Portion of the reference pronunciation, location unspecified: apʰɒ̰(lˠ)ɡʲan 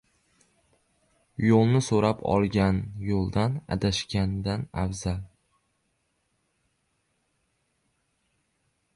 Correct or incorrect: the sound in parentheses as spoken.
correct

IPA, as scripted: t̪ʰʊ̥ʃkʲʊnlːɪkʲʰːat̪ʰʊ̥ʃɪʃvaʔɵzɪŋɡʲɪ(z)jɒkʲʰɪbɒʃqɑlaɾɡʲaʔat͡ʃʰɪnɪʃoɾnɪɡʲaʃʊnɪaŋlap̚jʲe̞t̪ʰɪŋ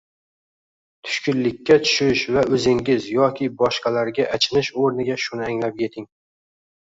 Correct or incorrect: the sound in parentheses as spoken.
correct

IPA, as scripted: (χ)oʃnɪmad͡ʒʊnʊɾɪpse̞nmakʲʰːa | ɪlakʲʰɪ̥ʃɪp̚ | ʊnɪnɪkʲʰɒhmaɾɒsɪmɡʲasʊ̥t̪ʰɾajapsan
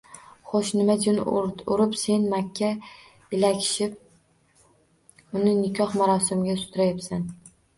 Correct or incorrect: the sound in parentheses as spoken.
correct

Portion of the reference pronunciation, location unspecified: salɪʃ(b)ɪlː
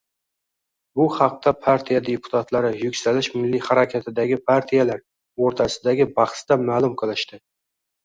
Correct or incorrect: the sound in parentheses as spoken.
incorrect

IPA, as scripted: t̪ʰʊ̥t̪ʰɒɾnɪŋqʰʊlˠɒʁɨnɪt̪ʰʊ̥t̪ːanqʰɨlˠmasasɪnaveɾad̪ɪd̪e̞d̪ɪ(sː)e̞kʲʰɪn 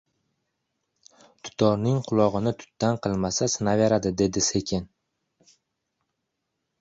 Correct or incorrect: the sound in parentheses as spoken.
incorrect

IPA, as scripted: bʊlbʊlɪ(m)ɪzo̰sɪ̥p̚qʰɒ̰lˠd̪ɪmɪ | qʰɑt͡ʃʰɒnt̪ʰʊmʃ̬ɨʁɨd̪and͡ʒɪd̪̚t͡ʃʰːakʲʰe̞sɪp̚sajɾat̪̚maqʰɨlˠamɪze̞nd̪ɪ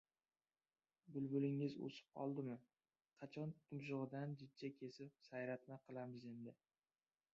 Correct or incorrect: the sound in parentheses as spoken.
incorrect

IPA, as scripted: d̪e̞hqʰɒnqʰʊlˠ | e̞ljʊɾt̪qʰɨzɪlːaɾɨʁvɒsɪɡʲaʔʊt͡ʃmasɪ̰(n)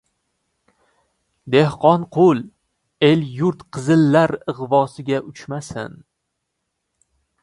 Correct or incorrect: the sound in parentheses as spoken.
correct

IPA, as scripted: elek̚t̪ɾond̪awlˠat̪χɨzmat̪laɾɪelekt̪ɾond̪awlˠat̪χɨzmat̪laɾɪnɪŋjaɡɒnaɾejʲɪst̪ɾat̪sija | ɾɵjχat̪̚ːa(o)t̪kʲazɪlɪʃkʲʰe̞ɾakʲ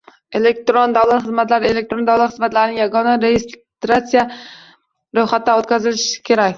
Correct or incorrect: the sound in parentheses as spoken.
correct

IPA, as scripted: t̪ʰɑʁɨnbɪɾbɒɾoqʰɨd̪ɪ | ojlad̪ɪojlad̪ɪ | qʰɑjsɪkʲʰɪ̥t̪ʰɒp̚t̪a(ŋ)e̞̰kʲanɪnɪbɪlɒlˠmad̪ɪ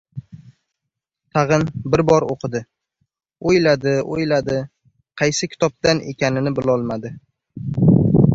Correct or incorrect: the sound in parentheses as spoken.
incorrect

